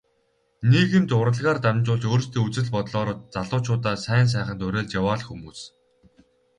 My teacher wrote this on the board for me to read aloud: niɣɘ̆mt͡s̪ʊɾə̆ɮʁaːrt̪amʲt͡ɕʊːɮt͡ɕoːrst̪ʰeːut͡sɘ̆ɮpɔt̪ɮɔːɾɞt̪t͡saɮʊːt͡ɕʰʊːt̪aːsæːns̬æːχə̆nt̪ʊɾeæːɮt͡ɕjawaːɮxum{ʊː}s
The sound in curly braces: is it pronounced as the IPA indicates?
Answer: no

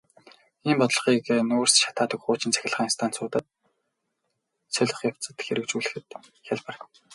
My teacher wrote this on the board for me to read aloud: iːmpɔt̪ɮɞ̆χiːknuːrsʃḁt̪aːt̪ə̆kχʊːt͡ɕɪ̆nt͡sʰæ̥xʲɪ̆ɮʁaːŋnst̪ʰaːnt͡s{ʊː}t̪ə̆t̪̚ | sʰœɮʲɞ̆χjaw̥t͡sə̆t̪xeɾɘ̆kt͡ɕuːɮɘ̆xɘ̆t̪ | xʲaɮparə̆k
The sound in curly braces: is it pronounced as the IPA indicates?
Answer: yes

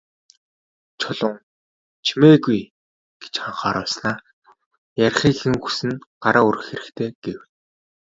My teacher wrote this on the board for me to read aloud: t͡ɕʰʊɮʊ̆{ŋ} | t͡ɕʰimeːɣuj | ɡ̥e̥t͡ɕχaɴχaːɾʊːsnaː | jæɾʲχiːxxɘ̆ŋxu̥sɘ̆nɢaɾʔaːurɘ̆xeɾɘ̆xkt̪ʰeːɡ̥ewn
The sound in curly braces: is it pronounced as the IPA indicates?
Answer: yes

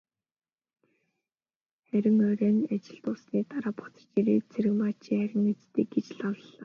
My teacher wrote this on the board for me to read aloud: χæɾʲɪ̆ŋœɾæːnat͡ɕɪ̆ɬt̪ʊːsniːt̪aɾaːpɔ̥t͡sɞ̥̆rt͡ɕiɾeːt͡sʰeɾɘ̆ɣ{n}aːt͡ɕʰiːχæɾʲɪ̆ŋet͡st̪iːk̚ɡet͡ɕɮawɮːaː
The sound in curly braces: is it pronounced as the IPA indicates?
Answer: no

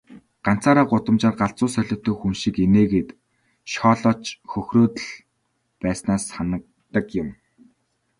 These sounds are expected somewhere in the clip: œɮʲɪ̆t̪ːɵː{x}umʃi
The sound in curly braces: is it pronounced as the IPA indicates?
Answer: yes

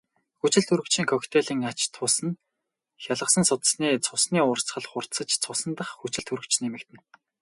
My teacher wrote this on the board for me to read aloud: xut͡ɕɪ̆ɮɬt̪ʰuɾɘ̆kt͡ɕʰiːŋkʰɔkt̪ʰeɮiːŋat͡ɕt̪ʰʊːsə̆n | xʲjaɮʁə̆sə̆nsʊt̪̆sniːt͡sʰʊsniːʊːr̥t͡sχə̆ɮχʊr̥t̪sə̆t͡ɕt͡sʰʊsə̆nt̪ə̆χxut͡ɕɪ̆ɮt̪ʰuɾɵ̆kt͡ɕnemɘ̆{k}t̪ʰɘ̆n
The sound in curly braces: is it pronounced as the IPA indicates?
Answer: yes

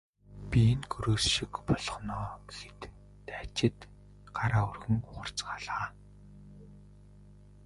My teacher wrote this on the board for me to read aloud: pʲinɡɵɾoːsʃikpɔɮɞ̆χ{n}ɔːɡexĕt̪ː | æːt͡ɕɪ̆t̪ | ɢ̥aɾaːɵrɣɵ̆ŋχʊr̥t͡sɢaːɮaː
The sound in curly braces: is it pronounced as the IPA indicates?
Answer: yes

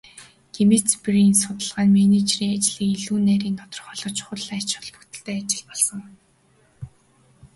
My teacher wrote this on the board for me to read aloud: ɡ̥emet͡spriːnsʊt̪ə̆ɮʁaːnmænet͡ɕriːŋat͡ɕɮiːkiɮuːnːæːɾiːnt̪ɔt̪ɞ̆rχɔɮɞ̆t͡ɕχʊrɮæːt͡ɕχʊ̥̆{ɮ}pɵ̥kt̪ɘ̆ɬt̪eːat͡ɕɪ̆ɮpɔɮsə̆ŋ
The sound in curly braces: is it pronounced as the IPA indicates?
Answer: yes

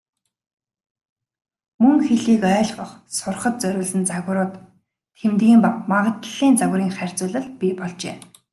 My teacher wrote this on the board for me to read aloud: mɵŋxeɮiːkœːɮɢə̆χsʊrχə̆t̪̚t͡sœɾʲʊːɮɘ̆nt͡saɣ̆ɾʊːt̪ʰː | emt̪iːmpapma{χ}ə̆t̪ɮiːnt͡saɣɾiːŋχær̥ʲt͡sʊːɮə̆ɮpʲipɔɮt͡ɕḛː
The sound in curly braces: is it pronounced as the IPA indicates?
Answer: no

